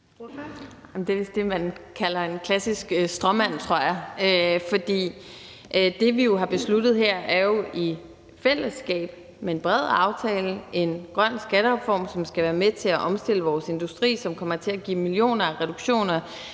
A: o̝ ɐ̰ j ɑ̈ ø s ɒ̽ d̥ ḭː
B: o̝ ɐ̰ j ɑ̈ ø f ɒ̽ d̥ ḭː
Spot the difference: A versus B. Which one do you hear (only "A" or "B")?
B